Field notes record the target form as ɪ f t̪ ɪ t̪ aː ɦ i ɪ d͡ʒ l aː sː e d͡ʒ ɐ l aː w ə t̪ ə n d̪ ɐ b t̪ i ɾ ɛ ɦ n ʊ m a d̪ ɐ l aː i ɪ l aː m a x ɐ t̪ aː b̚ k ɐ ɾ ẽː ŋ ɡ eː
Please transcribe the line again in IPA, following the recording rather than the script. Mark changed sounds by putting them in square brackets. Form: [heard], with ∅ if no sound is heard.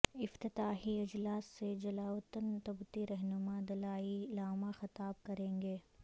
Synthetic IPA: ɪ f t̪ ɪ t̪ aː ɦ i ɪ d͡ʒ l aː sː e d͡ʒ ɐ l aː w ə t̪ ə n [t̪] ɐ b t̪ i ɾ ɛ ɦ n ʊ m a d̪ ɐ l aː i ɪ l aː m a x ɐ t̪ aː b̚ k ɐ ɾ ẽː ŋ ɡ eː